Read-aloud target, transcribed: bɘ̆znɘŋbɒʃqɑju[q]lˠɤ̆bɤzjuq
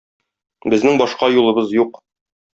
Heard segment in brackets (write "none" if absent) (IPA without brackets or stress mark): none